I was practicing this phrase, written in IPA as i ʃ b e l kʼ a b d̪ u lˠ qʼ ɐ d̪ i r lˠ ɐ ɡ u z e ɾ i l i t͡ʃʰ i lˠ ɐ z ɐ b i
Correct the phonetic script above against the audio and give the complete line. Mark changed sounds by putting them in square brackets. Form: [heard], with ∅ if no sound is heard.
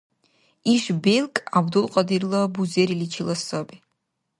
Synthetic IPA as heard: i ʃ b e l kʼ a b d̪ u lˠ qʼ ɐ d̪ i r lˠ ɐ [b] u z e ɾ i l i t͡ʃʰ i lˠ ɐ [s] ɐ b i